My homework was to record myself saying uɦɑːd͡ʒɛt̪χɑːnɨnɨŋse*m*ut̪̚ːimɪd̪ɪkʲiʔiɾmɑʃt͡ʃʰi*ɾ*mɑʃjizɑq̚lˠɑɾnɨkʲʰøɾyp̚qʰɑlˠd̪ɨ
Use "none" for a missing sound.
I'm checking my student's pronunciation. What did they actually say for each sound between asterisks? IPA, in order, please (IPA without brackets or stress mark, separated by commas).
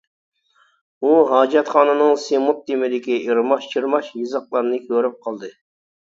m, ɾ